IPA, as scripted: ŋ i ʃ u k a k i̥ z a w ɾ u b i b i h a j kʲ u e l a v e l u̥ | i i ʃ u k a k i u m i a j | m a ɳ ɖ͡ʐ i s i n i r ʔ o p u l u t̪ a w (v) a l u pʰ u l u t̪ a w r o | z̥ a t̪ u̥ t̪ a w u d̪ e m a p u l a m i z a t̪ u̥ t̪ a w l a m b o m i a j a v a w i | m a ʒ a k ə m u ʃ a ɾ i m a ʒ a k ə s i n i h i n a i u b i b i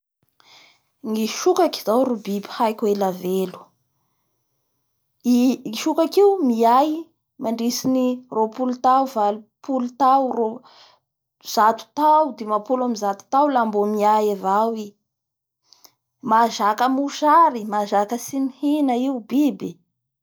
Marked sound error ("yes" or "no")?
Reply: no